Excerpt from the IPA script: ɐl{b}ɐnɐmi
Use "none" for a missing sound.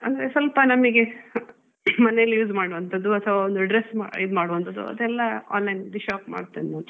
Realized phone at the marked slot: p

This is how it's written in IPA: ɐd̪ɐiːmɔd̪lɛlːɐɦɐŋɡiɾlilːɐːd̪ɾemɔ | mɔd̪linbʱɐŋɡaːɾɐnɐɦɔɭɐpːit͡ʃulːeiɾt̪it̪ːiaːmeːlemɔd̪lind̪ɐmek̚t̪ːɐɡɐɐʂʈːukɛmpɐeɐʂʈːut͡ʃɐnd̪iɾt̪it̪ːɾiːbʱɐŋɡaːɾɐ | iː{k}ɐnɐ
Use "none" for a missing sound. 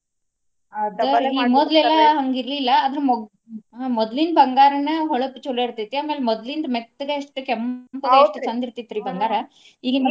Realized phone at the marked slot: ɡ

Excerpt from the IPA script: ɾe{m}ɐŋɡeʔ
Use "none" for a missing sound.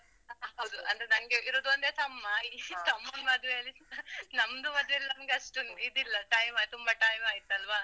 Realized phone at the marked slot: n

